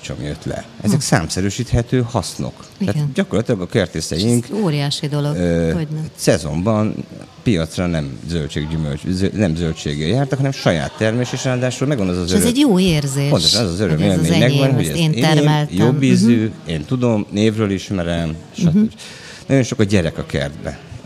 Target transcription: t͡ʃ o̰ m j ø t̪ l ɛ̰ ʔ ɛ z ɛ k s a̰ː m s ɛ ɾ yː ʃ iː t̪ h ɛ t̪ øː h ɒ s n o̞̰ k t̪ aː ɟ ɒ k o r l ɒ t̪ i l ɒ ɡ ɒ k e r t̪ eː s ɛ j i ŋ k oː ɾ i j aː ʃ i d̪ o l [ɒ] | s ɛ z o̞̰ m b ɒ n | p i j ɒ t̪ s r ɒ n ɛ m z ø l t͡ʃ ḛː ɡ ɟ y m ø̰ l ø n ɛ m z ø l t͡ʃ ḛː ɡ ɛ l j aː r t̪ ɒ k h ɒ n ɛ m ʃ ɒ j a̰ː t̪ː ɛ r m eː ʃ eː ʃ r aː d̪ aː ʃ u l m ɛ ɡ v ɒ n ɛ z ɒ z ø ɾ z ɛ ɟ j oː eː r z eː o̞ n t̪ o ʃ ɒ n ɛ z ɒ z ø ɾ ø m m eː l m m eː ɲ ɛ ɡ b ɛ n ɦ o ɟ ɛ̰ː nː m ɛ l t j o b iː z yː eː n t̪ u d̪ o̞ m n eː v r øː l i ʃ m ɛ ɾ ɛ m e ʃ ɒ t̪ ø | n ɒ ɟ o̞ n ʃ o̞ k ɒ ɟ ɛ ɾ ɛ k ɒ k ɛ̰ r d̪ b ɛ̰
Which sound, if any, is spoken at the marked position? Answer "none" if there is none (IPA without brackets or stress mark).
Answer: o